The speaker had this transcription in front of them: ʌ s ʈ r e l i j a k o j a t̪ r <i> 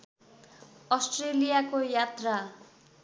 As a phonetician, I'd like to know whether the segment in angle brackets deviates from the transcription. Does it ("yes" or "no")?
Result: yes